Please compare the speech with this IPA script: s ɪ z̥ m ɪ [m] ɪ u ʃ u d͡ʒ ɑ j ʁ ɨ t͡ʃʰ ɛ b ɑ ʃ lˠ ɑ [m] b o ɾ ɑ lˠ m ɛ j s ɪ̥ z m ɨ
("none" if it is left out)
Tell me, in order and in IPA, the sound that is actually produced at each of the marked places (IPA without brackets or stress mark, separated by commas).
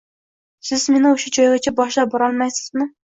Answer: n, none